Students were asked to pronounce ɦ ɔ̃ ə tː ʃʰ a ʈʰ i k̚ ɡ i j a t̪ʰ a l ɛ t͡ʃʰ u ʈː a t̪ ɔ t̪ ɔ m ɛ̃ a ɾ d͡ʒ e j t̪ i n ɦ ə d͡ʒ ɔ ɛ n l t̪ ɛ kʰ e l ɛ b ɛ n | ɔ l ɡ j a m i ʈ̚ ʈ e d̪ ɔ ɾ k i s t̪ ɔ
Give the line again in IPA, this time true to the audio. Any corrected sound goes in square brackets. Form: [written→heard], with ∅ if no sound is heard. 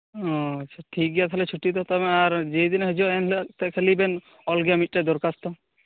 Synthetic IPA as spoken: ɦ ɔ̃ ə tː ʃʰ a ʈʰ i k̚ ɡ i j a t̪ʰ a l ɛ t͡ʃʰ u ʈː [a→i] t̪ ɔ t̪ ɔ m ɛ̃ a ɾ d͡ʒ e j [t̪→d̪] i n ɦ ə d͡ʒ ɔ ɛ n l t̪ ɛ kʰ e l [ɛ→i] b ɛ n | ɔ l ɡ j a m i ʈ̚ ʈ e d̪ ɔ ɾ k [i→a] s t̪ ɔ